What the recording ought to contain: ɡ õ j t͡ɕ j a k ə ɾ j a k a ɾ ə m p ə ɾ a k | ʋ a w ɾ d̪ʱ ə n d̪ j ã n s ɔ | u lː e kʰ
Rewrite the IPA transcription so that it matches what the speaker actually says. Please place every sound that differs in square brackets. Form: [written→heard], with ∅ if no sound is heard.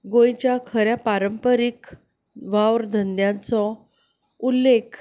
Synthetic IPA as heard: ɡ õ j t͡ɕ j a [k→kʰ] ə ɾ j a [k→p] a ɾ ə m p ə ɾ [a→i] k | ʋ a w ɾ d̪ʱ ə n d̪ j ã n [s→t͡s] ɔ | u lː e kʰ

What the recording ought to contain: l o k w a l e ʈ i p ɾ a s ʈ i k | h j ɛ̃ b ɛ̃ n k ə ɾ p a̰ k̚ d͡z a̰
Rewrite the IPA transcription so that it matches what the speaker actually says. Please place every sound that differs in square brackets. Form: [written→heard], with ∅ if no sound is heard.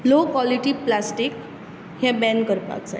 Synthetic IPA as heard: l o k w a l [e→i] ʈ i p [ɾ→l] a s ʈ i k | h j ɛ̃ b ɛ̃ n k ə ɾ p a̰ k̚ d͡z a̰

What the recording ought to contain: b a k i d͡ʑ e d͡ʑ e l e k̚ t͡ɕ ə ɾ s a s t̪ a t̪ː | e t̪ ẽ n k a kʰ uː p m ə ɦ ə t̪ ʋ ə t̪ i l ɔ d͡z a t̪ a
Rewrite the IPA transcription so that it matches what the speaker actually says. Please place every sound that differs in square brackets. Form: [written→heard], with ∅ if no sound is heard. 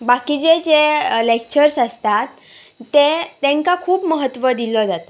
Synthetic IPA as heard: b a k i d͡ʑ e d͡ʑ e l e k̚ t͡ɕ ə ɾ s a s t̪ a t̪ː | e t̪ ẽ [n→ŋ] k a kʰ uː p m ə ɦ ə t̪ ʋ ə [t̪→d̪] i l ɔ d͡z a t̪ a

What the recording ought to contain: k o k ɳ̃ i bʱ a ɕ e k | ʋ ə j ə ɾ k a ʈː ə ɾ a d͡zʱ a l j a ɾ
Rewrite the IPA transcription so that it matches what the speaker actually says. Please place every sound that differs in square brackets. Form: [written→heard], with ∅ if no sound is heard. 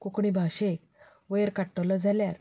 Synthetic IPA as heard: k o k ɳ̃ i bʱ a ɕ e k | ʋ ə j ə ɾ k a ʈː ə [ɾ→l] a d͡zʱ a l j a ɾ

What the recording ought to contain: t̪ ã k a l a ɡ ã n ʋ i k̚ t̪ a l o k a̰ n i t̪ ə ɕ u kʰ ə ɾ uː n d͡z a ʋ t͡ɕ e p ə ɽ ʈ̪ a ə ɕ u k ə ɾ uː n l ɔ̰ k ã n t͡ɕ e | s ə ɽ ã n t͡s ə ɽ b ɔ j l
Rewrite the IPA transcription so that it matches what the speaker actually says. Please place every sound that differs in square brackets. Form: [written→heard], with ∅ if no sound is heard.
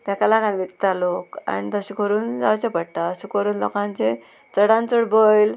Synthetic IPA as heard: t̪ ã k a l a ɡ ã n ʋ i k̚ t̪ a l o k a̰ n i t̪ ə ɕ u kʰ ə ɾ uː n d͡z a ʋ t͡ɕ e p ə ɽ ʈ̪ a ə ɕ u k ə ɾ uː n l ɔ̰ k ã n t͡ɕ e | [s→t͡s] ə ɽ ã n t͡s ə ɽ b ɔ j l

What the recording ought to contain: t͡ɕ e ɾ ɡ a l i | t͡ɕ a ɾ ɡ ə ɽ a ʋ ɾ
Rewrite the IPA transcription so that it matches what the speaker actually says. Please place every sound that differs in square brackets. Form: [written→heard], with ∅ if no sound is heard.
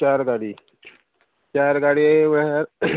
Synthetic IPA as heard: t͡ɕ [e→a] ɾ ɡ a [l→ɽ] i | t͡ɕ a ɾ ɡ [ə→a] ɽ [a→i] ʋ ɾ

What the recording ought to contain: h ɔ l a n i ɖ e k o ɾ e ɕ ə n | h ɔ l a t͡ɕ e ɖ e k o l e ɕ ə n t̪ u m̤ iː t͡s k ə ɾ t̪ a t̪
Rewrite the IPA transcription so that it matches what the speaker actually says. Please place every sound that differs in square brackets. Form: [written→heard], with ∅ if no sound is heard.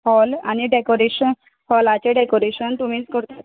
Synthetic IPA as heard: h ɔ l a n i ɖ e k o ɾ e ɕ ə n | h ɔ l a t͡ɕ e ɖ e k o [l→ɾ] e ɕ ə n t̪ u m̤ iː t͡s k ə ɾ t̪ a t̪

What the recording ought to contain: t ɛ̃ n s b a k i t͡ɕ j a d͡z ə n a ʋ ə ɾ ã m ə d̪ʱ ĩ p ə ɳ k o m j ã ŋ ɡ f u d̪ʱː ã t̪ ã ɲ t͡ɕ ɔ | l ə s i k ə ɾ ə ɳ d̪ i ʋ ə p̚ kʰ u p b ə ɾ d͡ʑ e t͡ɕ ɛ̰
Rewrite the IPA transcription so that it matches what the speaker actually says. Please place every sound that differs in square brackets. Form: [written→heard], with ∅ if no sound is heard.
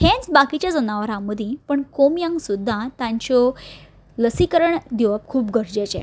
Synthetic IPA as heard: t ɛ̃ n [s→t͡s] b a k i t͡ɕ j a d͡z ə n a ʋ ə ɾ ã m ə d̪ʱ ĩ p ə ɳ k o m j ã ŋ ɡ [f→s] u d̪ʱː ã t̪ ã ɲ t͡ɕ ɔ | l ə s i k ə ɾ ə ɳ d̪ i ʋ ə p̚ kʰ [u→uː] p [b→ɡ] ə ɾ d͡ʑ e t͡ɕ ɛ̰

